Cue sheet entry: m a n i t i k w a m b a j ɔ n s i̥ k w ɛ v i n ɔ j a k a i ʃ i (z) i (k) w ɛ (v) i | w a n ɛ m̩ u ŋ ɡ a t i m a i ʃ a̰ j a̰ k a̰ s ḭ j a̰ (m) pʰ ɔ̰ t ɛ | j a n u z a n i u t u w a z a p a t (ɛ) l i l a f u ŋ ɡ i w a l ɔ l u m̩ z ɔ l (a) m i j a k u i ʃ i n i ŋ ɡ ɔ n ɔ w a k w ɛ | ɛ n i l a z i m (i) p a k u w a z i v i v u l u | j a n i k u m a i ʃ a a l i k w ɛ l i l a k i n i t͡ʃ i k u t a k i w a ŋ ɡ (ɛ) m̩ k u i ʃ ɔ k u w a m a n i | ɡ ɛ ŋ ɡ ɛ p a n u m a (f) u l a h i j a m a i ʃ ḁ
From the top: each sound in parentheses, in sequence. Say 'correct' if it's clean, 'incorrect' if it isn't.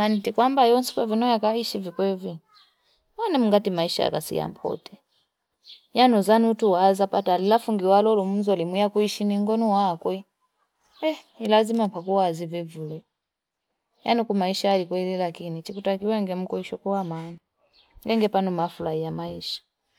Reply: incorrect: v, correct, correct, correct, incorrect: a, incorrect: i, incorrect: a, correct, correct

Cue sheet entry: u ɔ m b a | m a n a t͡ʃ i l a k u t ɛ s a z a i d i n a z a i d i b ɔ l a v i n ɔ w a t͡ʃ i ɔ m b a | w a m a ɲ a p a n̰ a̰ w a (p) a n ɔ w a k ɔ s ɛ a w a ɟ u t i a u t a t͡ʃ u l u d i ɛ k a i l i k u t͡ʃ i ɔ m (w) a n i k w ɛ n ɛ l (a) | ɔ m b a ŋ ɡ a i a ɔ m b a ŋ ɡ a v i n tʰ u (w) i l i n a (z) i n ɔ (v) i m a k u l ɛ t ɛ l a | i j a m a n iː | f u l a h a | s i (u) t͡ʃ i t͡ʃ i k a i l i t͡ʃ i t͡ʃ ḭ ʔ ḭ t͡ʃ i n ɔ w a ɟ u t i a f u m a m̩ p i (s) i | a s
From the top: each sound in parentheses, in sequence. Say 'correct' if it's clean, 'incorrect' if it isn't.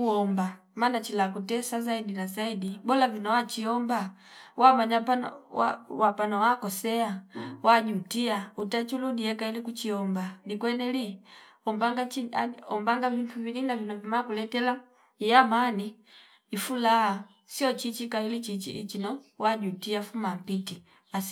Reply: correct, incorrect: b, incorrect: i, incorrect: v, incorrect: v, correct, incorrect: ɔ, incorrect: t

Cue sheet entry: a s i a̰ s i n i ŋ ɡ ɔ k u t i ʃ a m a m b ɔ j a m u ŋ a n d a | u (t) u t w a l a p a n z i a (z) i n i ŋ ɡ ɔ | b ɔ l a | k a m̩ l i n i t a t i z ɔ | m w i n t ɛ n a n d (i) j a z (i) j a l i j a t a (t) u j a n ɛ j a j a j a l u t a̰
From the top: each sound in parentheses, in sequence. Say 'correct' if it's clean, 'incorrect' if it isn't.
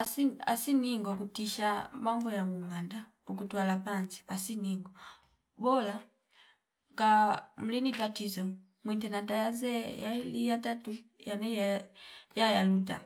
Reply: incorrect: k, incorrect: s, incorrect: a, incorrect: ɛ, correct

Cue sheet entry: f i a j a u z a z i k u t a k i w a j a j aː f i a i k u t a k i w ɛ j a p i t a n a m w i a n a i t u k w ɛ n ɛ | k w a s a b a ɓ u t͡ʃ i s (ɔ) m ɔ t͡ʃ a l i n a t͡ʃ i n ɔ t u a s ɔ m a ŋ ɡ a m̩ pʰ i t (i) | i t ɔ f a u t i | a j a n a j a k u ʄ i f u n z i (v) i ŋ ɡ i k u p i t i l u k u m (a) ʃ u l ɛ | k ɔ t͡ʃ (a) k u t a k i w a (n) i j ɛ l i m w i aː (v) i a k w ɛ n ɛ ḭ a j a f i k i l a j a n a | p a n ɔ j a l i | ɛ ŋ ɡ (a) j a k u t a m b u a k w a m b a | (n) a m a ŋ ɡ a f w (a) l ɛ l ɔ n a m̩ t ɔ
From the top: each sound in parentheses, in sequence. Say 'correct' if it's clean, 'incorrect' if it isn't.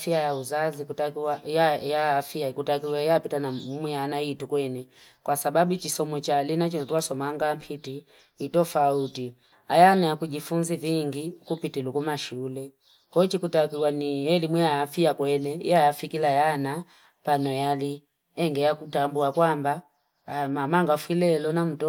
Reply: correct, correct, correct, correct, incorrect: i, correct, incorrect: f, incorrect: ɛ, incorrect: m, incorrect: i

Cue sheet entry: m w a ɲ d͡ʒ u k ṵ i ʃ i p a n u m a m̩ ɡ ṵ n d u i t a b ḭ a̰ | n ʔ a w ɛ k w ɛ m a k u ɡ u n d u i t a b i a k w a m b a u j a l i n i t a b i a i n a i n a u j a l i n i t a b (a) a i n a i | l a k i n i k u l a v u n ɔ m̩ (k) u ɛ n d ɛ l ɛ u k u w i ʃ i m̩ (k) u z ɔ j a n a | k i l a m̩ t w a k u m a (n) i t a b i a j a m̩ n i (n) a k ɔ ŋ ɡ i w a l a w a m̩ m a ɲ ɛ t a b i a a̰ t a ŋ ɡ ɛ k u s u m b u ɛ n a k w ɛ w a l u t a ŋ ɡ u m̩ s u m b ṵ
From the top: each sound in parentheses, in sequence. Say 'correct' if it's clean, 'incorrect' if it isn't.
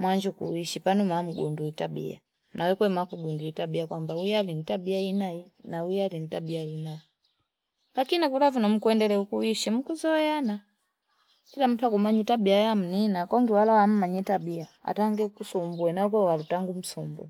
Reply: incorrect: i, correct, correct, incorrect: ɲ, correct

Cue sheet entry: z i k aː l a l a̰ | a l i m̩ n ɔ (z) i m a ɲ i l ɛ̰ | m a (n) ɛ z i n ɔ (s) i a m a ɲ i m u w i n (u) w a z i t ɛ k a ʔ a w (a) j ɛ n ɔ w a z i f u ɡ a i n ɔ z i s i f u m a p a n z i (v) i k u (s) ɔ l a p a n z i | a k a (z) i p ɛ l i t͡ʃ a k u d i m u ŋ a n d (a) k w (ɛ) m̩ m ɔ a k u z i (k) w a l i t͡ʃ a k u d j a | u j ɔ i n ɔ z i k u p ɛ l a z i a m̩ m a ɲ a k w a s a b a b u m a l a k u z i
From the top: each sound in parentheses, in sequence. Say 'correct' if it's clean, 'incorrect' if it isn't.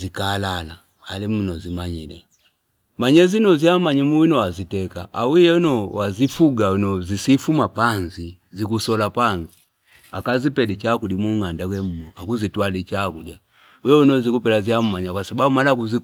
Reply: correct, incorrect: ɲ, incorrect: z, incorrect: ɔ, incorrect: i, incorrect: z, correct, correct, correct, correct, incorrect: t

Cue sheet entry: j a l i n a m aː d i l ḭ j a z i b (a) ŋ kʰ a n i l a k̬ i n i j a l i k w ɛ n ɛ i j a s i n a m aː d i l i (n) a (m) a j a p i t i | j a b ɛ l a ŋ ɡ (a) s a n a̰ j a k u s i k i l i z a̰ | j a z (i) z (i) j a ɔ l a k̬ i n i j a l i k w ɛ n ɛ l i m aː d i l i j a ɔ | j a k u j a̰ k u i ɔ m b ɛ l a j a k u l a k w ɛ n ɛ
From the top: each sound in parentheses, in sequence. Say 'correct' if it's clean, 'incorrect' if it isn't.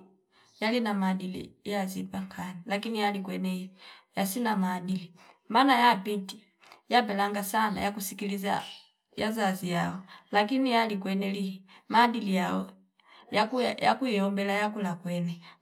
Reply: correct, incorrect: m, incorrect: n, correct, incorrect: a, correct

